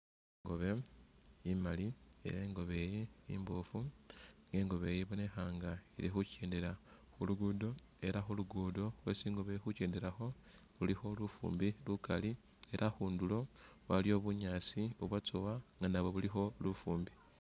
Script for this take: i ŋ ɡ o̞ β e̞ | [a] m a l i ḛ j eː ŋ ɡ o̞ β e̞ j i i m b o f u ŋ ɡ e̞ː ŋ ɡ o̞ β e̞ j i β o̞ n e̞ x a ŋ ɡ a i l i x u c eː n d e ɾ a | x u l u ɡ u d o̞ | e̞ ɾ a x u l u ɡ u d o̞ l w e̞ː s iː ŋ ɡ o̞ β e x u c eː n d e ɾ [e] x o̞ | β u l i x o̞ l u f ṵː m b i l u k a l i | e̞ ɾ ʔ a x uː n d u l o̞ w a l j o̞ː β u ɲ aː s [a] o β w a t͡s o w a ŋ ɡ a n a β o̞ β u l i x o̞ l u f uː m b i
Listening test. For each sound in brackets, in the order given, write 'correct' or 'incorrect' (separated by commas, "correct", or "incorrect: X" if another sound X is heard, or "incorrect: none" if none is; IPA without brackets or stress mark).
incorrect: i, incorrect: a, incorrect: i